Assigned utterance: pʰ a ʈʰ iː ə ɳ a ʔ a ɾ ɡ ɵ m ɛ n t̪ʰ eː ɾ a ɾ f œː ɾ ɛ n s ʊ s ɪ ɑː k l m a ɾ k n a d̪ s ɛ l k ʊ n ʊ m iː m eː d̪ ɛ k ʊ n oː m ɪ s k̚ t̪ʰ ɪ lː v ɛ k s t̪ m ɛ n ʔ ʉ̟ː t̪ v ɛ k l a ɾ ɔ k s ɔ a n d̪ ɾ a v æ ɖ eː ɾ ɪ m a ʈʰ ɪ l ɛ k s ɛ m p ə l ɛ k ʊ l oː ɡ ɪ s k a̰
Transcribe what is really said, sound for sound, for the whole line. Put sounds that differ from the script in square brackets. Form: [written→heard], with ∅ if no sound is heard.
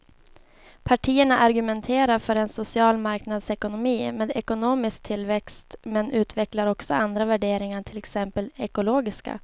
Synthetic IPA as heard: pʰ a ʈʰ iː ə ɳ a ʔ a ɾ ɡ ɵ m ɛ n t̪ʰ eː ɾ a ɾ f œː ɾ ɛ n s ʊ s ɪ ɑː [k→∅] l m a ɾ k n a d̪ s ɛ [l→∅] k ʊ n ʊ m iː m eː d̪ ɛ k ʊ n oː m ɪ s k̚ t̪ʰ ɪ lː v ɛ k s t̪ m ɛ n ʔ ʉ̟ː t̪ v ɛ k l a ɾ ɔ k s ɔ a n d̪ ɾ a v æ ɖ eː ɾ ɪ [m→ŋ] a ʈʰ ɪ l ɛ k s ɛ m p ə l ɛ k ʊ l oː ɡ ɪ s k a̰